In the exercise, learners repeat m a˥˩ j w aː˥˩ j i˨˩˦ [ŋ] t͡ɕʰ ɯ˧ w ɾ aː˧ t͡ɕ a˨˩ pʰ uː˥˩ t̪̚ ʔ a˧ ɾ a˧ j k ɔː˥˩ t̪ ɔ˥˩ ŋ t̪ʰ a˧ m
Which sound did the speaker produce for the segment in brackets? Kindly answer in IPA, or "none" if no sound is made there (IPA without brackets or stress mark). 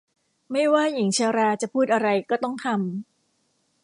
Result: ŋ